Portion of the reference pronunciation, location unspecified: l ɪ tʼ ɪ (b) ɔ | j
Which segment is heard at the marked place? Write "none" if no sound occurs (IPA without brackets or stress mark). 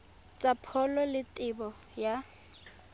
b